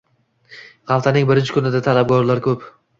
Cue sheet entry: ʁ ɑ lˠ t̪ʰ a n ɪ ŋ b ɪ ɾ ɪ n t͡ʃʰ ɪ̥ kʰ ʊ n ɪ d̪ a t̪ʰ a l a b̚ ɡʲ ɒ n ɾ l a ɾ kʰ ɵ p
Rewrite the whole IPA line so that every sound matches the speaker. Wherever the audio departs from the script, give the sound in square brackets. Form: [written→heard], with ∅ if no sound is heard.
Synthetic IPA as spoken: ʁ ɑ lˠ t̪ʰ a n ɪ ŋ b ɪ ɾ ɪ n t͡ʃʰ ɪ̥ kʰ ʊ n ɪ d̪ a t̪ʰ a l a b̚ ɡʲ ɒ [n→∅] ɾ l a ɾ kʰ ɵ p